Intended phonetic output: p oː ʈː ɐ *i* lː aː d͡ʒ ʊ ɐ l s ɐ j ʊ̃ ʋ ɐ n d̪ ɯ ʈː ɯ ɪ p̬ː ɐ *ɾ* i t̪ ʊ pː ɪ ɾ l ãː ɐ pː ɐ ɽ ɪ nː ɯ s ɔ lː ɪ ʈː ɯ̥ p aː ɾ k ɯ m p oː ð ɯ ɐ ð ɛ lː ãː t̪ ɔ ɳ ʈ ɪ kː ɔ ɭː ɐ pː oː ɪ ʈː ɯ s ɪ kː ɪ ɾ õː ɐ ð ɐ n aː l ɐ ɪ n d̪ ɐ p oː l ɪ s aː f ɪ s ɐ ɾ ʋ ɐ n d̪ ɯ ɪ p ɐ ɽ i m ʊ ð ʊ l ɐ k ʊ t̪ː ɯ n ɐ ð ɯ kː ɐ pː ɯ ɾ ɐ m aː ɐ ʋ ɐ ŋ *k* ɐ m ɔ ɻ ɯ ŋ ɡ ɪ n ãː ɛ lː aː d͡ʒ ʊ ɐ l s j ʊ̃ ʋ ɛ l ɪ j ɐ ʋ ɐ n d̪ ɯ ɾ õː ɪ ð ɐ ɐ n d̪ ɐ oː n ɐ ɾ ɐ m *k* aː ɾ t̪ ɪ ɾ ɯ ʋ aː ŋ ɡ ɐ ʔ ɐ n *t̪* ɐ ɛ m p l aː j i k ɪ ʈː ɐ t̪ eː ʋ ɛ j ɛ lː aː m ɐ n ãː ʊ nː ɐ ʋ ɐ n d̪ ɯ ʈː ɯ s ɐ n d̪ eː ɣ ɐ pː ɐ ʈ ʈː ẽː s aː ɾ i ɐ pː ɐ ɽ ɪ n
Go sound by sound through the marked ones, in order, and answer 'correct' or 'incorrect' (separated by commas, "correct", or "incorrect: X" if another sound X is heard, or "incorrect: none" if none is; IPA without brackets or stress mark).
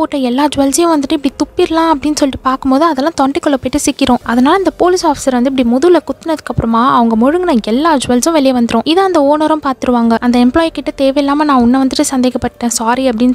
incorrect: ɛ, incorrect: ɽ, incorrect: ɡ, incorrect: p, incorrect: d̪